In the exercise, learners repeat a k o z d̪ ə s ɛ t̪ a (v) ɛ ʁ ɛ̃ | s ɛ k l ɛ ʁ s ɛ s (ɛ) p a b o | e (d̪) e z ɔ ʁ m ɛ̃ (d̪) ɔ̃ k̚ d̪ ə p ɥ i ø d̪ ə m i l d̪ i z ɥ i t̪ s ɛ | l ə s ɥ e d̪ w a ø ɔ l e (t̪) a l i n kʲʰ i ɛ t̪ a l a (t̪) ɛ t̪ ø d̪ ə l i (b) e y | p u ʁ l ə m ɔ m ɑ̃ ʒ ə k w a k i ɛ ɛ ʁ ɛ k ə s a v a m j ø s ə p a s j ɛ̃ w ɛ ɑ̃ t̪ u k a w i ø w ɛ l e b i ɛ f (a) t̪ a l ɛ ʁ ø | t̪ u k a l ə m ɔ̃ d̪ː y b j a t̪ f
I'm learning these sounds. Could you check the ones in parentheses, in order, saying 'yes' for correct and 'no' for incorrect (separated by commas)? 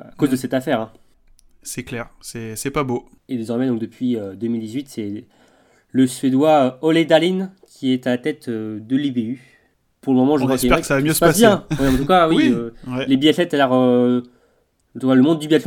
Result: no, yes, yes, yes, no, yes, yes, no